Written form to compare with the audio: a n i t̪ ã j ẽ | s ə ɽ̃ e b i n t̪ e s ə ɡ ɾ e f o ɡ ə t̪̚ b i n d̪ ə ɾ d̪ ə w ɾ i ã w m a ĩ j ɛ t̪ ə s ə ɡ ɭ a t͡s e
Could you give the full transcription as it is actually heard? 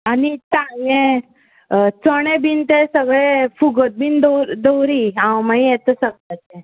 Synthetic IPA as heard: a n i t̪ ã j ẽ | t͡s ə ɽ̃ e b i n t̪ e s ə ɡ ɭ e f u ɡ ə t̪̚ b i n d̪ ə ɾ d̪ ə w ɾ i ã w m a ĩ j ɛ t̪ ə s ə ɡ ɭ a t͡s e